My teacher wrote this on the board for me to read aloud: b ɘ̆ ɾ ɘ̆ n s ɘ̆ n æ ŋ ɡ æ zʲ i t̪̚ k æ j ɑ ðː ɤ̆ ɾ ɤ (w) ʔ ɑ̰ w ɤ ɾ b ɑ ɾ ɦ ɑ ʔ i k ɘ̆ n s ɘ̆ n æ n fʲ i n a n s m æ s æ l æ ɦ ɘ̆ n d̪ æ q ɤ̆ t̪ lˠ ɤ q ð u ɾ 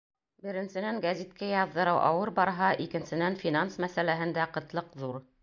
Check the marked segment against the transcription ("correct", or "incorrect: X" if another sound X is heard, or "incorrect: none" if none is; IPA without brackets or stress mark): correct